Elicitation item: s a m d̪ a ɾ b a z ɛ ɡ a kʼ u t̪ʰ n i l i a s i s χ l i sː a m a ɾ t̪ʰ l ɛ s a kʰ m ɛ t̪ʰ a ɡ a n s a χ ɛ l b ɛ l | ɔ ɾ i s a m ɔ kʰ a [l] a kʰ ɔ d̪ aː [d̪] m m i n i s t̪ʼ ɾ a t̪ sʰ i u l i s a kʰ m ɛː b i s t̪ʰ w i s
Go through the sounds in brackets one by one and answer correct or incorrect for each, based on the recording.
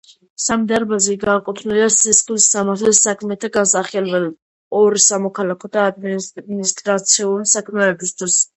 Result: correct, correct

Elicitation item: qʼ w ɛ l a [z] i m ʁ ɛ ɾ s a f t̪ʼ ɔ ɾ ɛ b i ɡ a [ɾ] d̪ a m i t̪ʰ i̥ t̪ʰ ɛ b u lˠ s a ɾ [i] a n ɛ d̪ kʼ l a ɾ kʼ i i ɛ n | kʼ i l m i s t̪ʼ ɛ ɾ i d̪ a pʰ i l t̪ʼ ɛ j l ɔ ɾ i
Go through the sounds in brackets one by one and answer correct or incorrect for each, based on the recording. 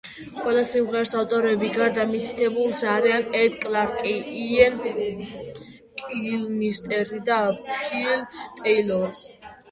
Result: incorrect: s, correct, correct

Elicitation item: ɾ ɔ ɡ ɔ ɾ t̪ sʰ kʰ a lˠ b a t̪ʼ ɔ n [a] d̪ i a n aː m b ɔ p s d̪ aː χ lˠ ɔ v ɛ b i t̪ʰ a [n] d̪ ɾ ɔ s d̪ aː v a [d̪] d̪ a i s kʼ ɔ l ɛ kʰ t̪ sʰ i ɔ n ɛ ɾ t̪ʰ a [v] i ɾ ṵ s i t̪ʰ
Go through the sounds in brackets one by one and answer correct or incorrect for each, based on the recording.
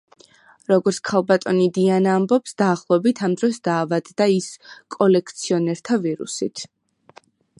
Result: incorrect: i, incorrect: m, correct, correct

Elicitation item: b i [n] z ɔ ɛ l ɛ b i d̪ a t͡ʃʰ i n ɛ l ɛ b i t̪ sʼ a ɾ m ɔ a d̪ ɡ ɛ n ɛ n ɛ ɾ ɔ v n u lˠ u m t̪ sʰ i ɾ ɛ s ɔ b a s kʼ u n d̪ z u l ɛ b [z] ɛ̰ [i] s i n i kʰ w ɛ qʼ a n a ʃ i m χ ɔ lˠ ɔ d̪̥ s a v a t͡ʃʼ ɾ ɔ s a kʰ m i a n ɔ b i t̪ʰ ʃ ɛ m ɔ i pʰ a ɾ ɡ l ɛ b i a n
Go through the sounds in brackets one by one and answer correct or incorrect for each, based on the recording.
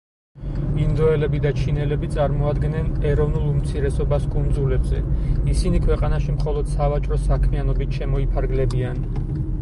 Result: correct, correct, correct

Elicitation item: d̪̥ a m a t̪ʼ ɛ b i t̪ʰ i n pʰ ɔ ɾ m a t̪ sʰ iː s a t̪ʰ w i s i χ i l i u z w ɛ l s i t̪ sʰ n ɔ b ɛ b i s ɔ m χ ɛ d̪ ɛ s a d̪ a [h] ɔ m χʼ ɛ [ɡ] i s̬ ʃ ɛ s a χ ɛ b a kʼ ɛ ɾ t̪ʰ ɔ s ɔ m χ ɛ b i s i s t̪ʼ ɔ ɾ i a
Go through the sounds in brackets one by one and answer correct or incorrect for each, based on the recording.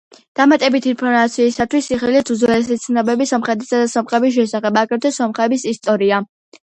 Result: incorrect: s, incorrect: b

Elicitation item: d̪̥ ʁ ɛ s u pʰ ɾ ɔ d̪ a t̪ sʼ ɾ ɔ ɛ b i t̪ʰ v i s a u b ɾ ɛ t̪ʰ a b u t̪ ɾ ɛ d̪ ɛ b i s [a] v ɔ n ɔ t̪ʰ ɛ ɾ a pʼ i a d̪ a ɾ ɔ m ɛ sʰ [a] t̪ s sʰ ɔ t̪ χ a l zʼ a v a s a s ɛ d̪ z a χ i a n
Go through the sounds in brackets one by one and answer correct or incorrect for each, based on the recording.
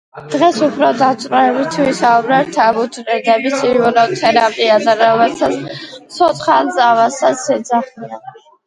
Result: incorrect: i, correct

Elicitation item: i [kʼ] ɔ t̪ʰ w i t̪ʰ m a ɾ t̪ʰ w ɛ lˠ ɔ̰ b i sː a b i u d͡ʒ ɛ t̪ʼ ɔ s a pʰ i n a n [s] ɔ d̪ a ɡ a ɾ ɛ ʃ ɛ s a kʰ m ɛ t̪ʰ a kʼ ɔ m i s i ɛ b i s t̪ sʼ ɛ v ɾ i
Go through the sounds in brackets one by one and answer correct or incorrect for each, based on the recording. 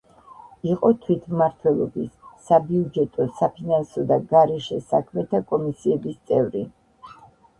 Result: incorrect: qʼ, correct

